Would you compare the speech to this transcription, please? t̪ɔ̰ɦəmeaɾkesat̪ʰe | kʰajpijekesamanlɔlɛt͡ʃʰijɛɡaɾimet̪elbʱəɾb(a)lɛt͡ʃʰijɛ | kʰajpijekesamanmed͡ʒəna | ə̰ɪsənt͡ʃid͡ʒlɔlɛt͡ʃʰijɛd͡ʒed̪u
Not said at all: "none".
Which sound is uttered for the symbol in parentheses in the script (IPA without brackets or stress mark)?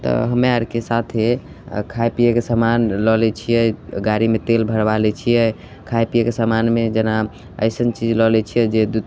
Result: a